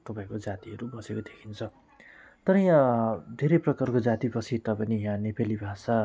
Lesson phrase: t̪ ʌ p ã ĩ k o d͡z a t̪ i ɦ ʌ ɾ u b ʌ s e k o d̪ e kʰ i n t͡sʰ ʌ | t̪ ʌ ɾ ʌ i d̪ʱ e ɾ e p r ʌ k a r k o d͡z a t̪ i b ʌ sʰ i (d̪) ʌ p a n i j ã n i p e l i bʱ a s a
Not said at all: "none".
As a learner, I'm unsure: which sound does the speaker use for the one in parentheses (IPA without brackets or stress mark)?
t̪